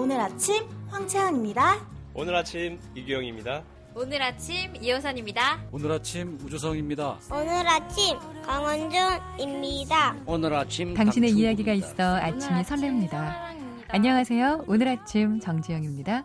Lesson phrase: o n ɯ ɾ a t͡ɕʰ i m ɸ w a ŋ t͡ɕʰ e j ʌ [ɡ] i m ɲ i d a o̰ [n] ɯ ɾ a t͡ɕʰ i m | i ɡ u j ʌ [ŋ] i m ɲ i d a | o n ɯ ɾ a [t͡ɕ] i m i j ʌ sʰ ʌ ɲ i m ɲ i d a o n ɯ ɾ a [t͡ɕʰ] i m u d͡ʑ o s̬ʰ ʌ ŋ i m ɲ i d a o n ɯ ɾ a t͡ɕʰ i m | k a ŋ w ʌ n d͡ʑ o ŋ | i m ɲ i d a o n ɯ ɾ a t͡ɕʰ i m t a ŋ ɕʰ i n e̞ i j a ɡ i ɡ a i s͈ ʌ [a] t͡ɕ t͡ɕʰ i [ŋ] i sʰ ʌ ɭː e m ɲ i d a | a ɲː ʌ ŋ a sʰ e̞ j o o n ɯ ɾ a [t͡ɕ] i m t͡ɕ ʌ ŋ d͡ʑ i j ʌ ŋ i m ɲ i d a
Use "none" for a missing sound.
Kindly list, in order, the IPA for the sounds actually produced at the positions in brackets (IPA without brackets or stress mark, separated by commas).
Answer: ŋ, n, ŋ, t͡ɕʰ, t͡ɕʰ, a, m, t͡ɕʰ